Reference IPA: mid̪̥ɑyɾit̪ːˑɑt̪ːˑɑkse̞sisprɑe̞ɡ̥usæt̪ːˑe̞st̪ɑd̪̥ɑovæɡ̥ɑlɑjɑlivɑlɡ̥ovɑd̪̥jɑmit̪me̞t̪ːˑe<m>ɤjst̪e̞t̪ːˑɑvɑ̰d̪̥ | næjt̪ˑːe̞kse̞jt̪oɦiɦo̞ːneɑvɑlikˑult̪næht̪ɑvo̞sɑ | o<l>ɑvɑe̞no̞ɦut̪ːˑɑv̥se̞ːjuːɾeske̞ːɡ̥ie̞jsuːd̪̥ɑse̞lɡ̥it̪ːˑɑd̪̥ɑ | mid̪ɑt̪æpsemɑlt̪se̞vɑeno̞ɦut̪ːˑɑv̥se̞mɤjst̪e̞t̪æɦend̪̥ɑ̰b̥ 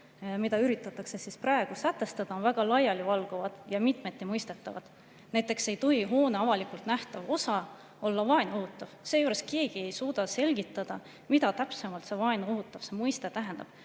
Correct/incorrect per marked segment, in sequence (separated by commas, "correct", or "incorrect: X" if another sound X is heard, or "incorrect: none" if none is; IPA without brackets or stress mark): correct, incorrect: lː